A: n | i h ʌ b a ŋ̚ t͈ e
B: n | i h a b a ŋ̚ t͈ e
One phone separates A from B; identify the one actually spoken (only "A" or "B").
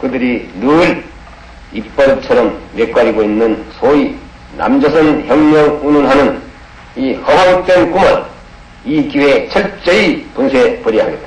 A